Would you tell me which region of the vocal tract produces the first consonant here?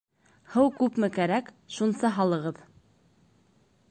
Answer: throat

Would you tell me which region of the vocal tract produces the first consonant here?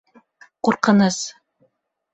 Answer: uvula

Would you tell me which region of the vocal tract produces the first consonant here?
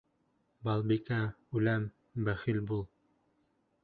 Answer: lips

